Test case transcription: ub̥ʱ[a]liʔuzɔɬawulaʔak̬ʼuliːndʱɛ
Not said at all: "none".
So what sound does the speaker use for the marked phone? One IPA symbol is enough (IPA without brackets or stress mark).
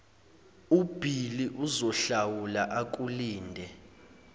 i